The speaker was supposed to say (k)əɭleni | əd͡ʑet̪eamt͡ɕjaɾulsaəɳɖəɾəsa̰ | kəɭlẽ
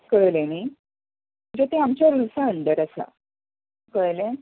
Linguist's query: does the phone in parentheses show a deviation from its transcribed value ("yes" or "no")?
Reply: no